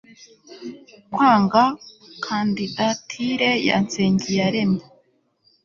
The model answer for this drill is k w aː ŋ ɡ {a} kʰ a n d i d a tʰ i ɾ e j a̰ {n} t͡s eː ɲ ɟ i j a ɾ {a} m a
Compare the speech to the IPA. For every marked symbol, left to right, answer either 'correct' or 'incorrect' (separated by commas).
correct, correct, incorrect